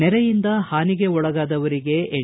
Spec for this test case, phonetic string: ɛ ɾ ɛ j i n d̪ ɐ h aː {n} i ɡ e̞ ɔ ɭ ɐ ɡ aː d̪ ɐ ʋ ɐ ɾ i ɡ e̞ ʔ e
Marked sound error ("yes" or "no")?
no